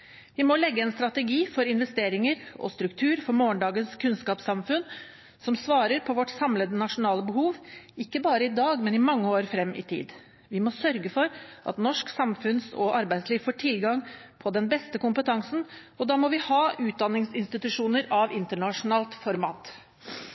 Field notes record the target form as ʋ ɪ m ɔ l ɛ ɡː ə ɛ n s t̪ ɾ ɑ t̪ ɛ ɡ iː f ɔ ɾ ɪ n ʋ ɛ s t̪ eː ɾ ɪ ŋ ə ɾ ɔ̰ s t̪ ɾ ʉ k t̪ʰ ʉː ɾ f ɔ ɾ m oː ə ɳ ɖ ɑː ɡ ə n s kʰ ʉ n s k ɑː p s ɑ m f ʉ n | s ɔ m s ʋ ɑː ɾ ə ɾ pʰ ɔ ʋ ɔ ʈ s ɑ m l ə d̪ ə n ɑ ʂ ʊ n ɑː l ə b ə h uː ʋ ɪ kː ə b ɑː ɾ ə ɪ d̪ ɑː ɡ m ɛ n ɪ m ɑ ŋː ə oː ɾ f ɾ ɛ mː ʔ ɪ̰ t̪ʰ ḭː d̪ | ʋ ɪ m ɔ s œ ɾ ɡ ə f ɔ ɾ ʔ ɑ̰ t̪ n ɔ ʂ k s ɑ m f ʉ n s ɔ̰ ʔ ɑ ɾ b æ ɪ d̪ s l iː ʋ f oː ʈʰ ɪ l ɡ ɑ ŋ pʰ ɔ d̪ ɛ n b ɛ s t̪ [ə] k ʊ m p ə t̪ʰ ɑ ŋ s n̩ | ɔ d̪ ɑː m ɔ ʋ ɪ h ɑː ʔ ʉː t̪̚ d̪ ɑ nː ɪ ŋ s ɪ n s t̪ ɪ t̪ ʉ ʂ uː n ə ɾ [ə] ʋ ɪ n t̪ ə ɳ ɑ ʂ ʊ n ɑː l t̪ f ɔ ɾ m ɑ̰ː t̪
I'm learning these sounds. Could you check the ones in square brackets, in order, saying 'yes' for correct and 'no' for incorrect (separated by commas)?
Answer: yes, no